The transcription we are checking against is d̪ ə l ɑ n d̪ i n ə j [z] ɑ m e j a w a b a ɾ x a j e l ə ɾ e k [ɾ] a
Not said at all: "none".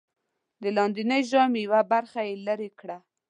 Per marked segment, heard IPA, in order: ʒ, ɽ

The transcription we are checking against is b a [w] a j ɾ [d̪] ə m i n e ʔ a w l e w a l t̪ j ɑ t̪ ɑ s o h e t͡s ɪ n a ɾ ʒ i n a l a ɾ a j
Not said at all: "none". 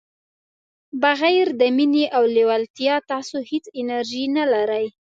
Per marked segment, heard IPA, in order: ɣ, d̪

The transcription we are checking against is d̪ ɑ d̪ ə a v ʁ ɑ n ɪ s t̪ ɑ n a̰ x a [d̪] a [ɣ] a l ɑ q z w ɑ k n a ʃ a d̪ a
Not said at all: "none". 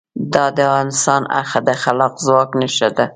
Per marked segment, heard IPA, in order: d̪, x

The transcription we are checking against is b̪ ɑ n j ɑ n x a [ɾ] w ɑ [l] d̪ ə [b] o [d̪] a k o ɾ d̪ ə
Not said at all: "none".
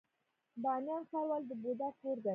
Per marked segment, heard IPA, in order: ɾ, l, b, d̪

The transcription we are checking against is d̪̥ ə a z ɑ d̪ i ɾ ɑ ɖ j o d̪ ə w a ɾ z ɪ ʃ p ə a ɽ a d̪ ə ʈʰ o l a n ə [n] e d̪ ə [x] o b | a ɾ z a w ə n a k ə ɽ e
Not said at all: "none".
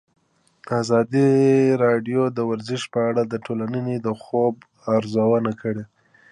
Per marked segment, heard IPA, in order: n, x

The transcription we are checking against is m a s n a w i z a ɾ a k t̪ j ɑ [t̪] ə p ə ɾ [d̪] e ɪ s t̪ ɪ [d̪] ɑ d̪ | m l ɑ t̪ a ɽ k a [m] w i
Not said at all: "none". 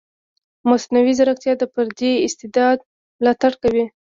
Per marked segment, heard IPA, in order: d̪, d̪, d̪, none

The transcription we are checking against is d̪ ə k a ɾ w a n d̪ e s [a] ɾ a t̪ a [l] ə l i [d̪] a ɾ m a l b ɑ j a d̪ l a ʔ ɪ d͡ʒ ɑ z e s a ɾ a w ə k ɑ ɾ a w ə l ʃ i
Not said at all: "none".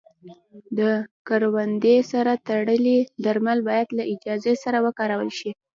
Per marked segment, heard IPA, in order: a, ɽ, d̪

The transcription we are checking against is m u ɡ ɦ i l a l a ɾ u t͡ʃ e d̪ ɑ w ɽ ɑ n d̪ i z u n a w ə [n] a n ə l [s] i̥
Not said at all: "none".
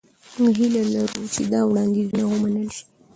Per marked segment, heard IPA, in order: m, ʃ

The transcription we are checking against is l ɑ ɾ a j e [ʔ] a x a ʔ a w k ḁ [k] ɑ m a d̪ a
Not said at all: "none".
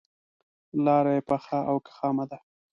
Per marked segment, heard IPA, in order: p, x

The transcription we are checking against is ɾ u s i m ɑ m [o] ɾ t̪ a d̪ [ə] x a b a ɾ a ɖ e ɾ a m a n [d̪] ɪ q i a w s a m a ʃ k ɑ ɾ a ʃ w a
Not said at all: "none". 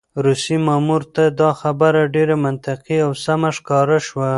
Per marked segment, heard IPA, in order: u, ɑ, t̪

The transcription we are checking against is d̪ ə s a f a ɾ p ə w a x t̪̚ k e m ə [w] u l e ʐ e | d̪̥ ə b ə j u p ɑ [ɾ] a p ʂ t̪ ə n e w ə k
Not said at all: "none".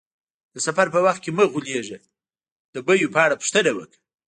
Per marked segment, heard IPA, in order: ɣ, ɽ

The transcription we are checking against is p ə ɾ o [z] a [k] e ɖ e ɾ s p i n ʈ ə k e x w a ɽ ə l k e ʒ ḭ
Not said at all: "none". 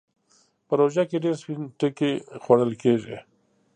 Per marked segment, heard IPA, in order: ʒ, k

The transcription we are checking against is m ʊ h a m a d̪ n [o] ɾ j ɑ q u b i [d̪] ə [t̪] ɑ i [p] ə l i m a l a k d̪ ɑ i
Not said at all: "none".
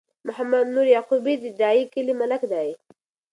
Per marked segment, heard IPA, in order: u, d̪, d̪, k

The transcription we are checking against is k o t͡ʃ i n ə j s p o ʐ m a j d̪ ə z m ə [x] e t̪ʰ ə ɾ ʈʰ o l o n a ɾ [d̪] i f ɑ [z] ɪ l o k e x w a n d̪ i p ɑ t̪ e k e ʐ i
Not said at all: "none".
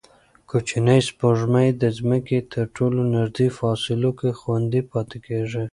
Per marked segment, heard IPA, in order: k, d̪, s

